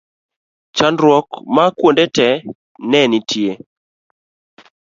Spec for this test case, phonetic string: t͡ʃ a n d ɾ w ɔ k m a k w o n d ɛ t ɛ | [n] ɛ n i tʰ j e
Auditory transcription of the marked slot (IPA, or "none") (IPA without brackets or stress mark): n